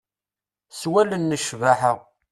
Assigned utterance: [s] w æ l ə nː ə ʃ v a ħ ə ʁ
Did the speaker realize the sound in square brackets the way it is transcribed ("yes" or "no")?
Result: yes